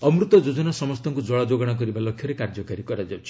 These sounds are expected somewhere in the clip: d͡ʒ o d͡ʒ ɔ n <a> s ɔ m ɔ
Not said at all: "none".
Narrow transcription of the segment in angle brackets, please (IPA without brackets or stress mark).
a